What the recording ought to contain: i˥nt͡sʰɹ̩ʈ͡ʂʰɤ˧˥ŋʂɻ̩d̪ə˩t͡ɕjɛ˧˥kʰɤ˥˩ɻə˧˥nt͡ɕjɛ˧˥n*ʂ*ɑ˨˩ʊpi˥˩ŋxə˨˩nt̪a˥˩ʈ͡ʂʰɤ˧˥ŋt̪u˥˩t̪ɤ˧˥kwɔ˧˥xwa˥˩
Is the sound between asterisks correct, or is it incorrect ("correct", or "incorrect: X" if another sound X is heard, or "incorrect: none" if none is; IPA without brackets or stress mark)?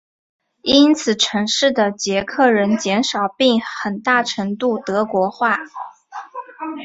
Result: correct